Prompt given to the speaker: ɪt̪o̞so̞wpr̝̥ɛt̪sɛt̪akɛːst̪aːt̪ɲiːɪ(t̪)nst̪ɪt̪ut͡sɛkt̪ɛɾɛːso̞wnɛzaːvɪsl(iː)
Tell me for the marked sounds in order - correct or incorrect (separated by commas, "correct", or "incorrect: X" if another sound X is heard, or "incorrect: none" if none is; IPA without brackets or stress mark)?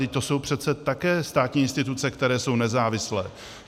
incorrect: none, incorrect: ɛː